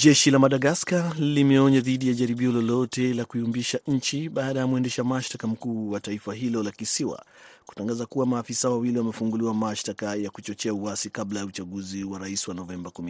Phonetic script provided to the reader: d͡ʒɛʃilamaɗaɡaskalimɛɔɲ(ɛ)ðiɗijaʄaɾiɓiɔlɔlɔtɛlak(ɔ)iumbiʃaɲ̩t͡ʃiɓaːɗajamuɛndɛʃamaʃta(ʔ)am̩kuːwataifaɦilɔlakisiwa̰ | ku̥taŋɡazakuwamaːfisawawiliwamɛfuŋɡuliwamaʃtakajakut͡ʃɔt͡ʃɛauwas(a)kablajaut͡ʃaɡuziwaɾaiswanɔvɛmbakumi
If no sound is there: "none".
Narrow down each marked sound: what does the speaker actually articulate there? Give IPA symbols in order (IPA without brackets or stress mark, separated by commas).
a, u, k, i